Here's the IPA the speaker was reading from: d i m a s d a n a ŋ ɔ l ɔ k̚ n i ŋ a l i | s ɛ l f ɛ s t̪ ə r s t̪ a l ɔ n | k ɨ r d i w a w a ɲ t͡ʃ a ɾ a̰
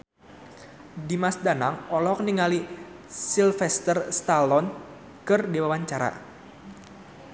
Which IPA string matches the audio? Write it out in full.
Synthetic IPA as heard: d i m a s d a n a ŋ ɔ l ɔ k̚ n i ŋ a l i | s i l f ɛ s t̪ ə r s t̪ a l ɔ n | k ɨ r d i w a w a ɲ t͡ʃ a ɾ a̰